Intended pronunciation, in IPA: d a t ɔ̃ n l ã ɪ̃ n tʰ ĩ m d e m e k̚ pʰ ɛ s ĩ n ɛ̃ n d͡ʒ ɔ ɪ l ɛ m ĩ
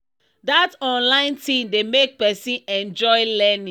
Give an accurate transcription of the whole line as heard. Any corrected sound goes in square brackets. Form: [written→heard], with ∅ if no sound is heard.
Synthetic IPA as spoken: d a t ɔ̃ n l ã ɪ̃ n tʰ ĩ m d e m e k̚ [pʰ→p] ɛ s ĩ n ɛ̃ n d͡ʒ ɔ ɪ l ɛ [m→n] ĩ

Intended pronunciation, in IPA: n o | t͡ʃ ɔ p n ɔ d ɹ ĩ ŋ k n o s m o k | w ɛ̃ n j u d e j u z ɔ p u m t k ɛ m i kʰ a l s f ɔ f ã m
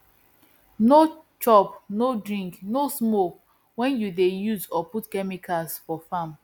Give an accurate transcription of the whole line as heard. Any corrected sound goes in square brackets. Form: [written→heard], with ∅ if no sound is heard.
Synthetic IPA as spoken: n o | t͡ʃ ɔ p n [ɔ→o] d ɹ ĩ ŋ k n o s m o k | w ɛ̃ n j u d e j u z ɔ p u [m→∅] t k ɛ m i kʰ a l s f ɔ f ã m

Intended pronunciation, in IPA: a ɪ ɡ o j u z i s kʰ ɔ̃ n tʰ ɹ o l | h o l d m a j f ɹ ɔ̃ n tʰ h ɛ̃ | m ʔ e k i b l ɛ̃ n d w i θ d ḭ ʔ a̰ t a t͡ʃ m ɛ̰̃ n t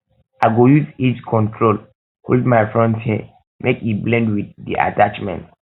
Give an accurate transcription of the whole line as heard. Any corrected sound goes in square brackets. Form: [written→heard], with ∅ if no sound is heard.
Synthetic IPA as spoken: a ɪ ɡ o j u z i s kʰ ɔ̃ n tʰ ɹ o l | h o l d m a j f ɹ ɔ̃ n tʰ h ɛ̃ | m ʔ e k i b l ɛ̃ n d w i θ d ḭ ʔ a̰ t a t͡ʃ m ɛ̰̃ n t

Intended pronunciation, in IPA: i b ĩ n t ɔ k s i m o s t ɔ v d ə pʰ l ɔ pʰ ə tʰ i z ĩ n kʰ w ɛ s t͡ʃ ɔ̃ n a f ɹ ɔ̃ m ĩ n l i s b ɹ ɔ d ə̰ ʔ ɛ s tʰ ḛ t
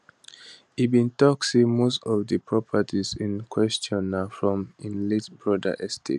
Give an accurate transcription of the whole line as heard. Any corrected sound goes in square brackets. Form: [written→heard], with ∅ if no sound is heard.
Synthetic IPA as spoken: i b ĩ n t ɔ k s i m o s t ɔ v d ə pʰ [l→ɹ] ɔ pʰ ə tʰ i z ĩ n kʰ w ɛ s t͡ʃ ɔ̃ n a f ɹ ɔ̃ m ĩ n l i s b ɹ ɔ d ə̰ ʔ ɛ s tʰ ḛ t

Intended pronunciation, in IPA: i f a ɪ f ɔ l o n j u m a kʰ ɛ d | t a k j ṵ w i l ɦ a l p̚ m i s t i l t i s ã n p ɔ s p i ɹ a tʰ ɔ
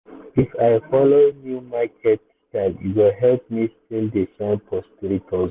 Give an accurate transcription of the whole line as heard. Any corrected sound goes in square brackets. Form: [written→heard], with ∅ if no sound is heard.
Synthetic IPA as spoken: i f a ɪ f ɔ l o n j u m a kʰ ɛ [d→t] | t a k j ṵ w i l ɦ [a→ɛ] l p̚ m i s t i l [t→d] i s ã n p ɔ s p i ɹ [a→i] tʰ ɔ

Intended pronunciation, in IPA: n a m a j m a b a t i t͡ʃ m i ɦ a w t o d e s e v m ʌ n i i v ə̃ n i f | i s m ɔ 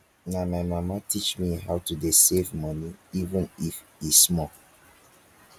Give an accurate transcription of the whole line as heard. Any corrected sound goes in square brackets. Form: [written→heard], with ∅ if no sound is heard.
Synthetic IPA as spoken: n a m a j m a [b→m] a t i t͡ʃ m i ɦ a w t [o→u] d e s e v m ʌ n i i v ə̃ n i f | i s m ɔ

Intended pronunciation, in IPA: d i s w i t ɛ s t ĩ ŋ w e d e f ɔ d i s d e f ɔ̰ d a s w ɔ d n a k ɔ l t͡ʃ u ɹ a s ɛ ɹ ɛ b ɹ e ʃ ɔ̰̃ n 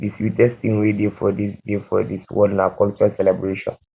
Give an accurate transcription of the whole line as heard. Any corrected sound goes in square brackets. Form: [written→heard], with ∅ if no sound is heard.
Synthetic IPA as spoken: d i s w i t ɛ s t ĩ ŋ w e d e f ɔ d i s d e f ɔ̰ d [a→i] s w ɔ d n a k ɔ l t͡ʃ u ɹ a s ɛ [ɹ→l] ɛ b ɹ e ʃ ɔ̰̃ n

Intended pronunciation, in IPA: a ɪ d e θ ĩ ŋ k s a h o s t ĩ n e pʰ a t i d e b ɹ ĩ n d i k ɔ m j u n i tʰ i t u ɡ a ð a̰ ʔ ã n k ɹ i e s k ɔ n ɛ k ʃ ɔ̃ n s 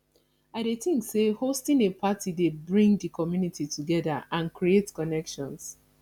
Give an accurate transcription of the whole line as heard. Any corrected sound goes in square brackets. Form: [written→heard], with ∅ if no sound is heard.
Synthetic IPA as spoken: a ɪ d e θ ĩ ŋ k s [a→e] h o s t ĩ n e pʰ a t i d e b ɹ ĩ [n→ŋ] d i k ɔ m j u n i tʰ i t u ɡ [a→ɛ] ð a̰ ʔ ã n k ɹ i e [s→t] k ɔ n ɛ k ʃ ɔ̃ n s

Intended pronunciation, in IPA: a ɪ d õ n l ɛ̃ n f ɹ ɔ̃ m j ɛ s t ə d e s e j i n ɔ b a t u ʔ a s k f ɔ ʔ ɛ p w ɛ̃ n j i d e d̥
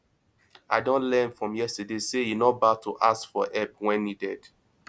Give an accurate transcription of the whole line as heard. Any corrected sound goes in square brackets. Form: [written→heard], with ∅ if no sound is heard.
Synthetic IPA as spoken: a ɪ d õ n l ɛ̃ n f ɹ ɔ̃ m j ɛ s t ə d e s e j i n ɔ b a t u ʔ a s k f ɔ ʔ ɛ p w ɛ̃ n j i d [e→ɛ] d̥

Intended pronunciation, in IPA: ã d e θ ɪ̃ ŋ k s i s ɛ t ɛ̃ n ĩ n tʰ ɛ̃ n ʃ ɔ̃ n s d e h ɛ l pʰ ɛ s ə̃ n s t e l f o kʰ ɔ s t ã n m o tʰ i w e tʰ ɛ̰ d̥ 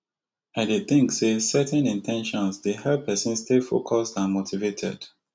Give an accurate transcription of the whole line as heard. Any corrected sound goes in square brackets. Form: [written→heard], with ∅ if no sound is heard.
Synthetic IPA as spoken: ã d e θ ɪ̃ ŋ k s [i→e] s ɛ t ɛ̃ n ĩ n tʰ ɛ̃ n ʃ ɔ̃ n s d e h ɛ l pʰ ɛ s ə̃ n s t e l f o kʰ ɔ s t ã n m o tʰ i [w→v] e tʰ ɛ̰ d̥

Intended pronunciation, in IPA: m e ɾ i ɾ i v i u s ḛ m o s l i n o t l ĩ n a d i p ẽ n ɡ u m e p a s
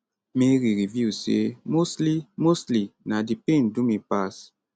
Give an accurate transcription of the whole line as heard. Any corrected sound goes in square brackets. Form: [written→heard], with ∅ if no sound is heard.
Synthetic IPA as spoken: m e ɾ i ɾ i v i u s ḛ m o s l i [n→m] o [t→s] l [ĩ→i] n a d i p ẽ n [ɡ→d] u m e p a s

